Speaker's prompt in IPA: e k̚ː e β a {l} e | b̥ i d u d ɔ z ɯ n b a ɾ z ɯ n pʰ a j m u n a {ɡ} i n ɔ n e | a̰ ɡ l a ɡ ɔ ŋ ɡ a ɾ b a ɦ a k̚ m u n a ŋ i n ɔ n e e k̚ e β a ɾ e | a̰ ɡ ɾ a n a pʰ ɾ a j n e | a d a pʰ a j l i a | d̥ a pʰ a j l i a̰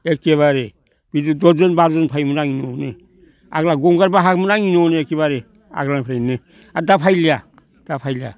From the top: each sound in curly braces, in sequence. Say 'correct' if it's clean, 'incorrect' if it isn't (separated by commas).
incorrect, incorrect